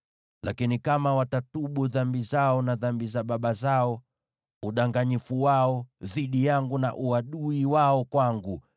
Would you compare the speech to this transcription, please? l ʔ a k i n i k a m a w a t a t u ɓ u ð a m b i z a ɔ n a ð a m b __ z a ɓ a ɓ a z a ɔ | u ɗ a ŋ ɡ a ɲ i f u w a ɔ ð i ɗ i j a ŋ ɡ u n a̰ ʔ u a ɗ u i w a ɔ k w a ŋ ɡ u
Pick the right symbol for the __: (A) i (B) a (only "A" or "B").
A